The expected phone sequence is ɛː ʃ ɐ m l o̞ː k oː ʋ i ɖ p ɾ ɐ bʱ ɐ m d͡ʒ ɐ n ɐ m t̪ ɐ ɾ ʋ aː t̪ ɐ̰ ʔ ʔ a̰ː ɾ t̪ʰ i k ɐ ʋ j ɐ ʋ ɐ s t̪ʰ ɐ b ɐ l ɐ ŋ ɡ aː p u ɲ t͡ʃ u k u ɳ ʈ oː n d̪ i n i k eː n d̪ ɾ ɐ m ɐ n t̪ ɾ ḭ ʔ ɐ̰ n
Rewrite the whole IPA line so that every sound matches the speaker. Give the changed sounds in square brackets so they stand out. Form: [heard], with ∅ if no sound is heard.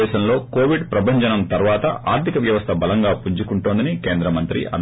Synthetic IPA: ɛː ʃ ɐ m l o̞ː k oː ʋ i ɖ p ɾ ɐ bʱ ɐ [ɲ] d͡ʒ ɐ n ɐ m t̪ ɐ ɾ ʋ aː t̪ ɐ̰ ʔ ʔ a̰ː ɾ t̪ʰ i k ɐ ʋ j ɐ ʋ ɐ s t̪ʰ ɐ b ɐ l ɐ ŋ ɡ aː p u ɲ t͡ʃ u k u ɳ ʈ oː n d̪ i n i k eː n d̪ ɾ ɐ m ɐ n t̪ ɾ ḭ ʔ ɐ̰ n